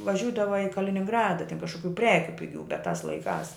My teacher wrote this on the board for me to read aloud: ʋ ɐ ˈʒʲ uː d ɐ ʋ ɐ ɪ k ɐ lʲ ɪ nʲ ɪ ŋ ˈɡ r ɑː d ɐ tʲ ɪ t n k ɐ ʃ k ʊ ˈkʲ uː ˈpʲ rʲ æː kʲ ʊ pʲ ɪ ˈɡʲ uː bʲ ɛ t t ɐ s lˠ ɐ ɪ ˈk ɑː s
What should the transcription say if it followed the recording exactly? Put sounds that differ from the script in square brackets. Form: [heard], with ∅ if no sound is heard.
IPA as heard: ʋ ɐ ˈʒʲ uː d ɐ ʋ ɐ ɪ k ɐ lʲ ɪ nʲ ɪ ŋ ˈɡ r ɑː d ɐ tʲ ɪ [∅] n k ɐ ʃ k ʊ ˈkʲ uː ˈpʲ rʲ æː kʲ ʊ pʲ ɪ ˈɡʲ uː bʲ ɛ t t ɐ s lˠ ɐ ɪ ˈk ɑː s